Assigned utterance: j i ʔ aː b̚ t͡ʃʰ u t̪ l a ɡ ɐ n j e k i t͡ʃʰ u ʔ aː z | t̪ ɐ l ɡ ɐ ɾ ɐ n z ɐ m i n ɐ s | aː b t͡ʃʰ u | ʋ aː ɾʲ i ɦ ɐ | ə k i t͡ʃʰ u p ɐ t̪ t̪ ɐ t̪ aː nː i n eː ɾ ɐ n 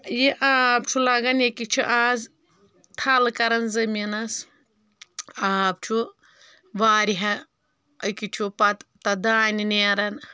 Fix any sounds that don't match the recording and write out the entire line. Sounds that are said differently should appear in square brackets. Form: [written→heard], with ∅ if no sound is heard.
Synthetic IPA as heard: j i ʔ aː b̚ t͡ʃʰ u [t̪→∅] l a ɡ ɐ n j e k i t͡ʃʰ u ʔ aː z | [t̪→t̪ʰ] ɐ l [ɡ→k] ɐ ɾ ɐ n z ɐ m i n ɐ s | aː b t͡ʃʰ u | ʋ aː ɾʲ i ɦ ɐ | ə k i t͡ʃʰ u p ɐ t̪ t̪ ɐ [t̪→d̪] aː [nː→n] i n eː ɾ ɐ n

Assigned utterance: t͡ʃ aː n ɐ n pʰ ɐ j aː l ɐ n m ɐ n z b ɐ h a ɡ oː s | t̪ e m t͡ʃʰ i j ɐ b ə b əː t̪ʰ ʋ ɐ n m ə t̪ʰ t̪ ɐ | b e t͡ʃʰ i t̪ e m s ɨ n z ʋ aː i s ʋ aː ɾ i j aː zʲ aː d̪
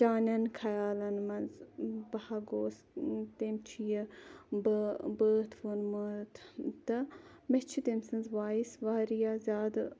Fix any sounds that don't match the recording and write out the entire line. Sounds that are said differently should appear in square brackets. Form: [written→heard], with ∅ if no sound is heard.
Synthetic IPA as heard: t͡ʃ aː n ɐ n [pʰ→kʰ] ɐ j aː l ɐ n m ɐ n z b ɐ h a ɡ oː s | t̪ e m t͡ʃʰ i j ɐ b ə b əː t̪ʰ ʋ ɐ n m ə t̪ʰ t̪ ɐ | [b→m] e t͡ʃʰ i t̪ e m s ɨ n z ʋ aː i s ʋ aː ɾ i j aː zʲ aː d̪

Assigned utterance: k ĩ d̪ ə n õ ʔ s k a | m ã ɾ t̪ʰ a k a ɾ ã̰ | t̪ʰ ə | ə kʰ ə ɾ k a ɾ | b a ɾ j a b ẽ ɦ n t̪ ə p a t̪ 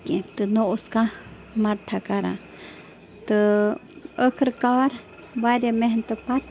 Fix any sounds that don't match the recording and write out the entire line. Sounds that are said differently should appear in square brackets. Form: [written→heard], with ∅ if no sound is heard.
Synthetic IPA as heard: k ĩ [d̪→t̪] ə n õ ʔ s k a | m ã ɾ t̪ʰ a k a ɾ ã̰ | [t̪ʰ→t̪] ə | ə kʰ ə ɾ k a ɾ | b a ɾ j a [b→m] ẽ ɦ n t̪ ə p a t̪

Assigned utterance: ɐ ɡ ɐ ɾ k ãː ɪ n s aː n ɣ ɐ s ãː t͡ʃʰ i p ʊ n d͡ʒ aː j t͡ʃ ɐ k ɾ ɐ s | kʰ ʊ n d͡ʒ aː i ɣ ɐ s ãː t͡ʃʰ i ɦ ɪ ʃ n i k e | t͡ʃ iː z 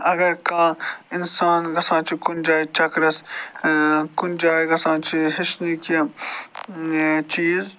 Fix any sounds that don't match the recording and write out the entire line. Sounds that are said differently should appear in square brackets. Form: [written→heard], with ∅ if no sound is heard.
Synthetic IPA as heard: ɐ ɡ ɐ ɾ k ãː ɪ n s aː n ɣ ɐ s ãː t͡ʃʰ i [p→k] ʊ n d͡ʒ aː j t͡ʃ ɐ k ɾ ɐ s | [kʰ→k] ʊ n d͡ʒ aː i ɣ ɐ s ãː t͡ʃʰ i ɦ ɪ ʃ n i k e | t͡ʃ iː z

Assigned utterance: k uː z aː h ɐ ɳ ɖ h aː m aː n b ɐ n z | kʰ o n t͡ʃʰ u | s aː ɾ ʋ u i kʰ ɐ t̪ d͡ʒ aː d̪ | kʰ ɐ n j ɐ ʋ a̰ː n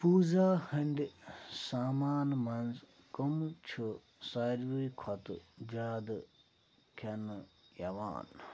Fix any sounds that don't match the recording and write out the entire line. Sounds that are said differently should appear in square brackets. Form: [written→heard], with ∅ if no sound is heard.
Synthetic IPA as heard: [k→p] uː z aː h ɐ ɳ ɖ [h→s] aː m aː n [b→m] ɐ n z | [kʰ→k] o [n→m] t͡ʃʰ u | s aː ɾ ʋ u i kʰ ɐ t̪ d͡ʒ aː d̪ | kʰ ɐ n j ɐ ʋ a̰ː n

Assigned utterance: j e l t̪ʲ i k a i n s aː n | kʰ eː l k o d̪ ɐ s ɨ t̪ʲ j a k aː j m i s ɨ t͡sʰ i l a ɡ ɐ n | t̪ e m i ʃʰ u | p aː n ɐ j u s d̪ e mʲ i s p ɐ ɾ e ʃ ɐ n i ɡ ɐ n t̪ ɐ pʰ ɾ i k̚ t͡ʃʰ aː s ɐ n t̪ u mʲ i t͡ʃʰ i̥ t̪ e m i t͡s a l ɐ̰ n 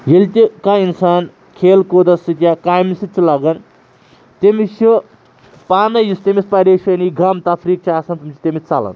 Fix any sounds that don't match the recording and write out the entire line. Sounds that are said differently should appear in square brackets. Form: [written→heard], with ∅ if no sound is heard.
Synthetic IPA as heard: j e l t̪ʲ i k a i n s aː n | kʰ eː l k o d̪ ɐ s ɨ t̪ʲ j a k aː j m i s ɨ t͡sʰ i l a ɡ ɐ n | t̪ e m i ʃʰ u | p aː n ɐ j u s [d̪→t̪] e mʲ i s p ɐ ɾ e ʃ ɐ n i ɡ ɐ [n→m] t̪ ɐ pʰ ɾ i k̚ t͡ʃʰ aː s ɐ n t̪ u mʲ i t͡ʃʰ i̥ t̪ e m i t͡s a l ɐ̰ n

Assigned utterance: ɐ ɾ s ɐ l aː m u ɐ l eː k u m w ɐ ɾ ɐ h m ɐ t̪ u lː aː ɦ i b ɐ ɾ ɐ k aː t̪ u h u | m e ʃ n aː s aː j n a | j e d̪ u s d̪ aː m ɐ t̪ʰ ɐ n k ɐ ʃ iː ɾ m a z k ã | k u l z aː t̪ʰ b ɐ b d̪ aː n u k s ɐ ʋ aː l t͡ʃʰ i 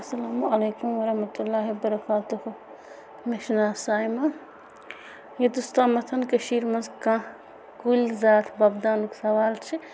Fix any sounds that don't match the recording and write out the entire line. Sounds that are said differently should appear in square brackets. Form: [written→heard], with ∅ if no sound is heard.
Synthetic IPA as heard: ɐ [ɾ→∅] s ɐ l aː m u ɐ l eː k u m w ɐ ɾ ɐ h m ɐ t̪ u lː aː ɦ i b ɐ ɾ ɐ k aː t̪ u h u | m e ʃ n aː s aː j [n→m] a | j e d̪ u s [d̪→t̪] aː m ɐ t̪ʰ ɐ n k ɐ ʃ iː ɾ m [a→ɐ] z k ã | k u l z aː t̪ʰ b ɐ b d̪ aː n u k s ɐ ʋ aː l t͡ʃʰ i

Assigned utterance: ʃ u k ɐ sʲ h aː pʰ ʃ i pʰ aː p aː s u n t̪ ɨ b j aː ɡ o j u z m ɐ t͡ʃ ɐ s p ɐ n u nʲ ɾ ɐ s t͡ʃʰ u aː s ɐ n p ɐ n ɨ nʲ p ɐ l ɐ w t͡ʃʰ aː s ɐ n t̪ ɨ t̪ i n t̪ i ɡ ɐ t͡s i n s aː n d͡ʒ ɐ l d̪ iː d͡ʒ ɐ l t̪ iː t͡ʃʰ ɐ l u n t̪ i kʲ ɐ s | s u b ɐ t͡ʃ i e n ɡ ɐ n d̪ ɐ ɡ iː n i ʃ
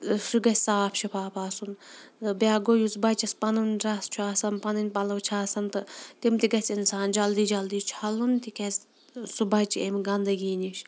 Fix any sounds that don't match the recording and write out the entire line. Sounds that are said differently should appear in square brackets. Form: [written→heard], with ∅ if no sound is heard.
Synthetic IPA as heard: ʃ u [k→ɡ] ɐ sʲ [h→s] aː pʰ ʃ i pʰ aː p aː s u n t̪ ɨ b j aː ɡ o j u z [m→b] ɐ t͡ʃ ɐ s p ɐ n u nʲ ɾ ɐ s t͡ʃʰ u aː s ɐ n p ɐ n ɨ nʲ p ɐ l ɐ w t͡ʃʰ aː s ɐ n t̪ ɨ t̪ i [n→m] t̪ i ɡ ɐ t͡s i n s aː n d͡ʒ ɐ l d̪ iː d͡ʒ ɐ l [t̪→d̪] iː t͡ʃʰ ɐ l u n t̪ i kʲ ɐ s | s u b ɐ t͡ʃ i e [n→m] ɡ ɐ n d̪ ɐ ɡ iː n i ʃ

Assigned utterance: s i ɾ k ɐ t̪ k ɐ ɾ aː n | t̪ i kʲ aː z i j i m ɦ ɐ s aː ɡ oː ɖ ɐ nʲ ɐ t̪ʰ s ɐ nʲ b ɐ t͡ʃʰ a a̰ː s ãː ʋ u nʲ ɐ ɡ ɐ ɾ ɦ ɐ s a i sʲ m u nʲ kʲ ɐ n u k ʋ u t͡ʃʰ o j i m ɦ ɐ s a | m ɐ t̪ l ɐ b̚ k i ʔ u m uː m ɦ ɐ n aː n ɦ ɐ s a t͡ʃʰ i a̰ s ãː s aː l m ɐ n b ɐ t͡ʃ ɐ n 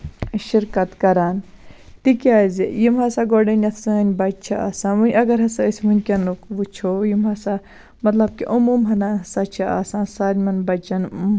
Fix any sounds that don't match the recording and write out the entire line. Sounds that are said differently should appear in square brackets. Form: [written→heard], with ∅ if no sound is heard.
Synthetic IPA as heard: [s→ʃ] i ɾ k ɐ t̪ k ɐ ɾ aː n | t̪ i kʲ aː z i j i m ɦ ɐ s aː ɡ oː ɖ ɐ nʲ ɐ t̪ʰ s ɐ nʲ b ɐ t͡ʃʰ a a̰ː s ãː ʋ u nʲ ɐ ɡ ɐ ɾ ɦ ɐ s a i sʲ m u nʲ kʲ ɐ n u k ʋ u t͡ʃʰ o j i m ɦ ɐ s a | m ɐ t̪ l ɐ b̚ k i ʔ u m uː m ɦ ɐ n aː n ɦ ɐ s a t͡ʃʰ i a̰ s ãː s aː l m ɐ n b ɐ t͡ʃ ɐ n

